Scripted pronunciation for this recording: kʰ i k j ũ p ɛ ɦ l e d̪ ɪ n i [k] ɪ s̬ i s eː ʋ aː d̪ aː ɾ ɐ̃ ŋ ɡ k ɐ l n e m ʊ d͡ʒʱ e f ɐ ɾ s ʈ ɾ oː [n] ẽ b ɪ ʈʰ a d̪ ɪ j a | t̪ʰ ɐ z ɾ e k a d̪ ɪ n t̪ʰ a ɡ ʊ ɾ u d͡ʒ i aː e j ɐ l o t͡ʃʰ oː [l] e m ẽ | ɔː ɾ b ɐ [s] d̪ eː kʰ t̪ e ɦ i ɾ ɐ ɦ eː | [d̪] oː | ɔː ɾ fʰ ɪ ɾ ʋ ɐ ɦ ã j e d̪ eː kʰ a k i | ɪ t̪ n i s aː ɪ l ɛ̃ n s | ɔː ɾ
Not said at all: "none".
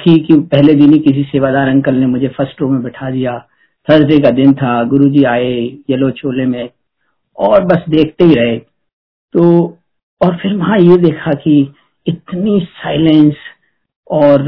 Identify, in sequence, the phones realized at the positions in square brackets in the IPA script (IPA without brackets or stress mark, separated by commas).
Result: k, m, l, s, t̪